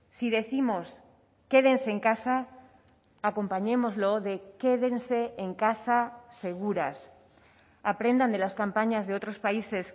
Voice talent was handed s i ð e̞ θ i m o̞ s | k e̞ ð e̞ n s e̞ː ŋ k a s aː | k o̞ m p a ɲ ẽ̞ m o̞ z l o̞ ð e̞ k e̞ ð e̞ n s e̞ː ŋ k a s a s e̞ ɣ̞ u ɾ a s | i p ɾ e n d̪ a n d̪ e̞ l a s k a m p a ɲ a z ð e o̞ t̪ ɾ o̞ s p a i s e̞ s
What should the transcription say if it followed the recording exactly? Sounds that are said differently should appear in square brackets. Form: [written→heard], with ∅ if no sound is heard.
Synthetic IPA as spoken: s i ð e̞ θ i m o̞ s | k e̞ ð e̞ n s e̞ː ŋ k a s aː | k o̞ m p a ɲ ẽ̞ m o̞ z l o̞ ð e̞ k e̞ ð e̞ n s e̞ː ŋ k a s a s e̞ ɣ̞ u ɾ a s | [i→a] p ɾ e n d̪ a n d̪ e̞ l a s k a m p a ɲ a z ð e o̞ t̪ ɾ o̞ s p a i s e̞ s